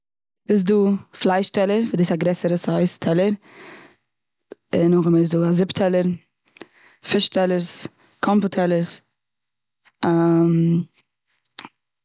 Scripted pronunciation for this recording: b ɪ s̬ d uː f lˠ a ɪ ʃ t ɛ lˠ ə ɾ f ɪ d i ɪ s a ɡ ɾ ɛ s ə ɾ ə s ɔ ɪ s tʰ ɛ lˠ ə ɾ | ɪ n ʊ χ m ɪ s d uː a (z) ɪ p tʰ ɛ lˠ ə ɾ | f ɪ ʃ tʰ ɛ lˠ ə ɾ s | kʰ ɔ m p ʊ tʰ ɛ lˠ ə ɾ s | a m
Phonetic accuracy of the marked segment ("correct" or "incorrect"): correct